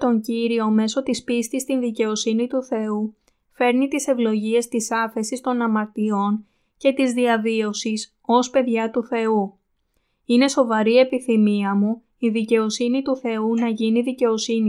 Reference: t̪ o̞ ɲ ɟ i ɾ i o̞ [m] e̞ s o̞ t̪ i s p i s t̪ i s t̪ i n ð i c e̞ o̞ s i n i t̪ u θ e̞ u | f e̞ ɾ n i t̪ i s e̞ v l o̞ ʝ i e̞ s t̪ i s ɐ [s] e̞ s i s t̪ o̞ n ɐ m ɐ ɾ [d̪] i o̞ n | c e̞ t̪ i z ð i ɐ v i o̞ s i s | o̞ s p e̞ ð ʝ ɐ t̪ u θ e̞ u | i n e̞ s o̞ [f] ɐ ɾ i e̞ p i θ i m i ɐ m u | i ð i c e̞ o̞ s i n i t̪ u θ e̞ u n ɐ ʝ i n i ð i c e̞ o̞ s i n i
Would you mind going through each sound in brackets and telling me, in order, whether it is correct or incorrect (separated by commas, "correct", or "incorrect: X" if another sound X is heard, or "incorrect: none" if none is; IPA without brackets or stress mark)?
correct, incorrect: f, incorrect: t̪, incorrect: v